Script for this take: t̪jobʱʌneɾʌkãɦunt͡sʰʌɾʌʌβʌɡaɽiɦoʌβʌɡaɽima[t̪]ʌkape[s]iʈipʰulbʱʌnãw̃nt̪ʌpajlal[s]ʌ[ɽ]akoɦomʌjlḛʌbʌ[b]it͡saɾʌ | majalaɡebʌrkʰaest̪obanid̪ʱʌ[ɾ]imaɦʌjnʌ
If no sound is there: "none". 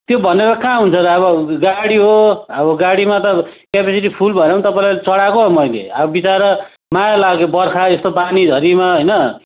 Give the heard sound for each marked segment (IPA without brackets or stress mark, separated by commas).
t̪, s, t͡s, ɽ, b, ɾ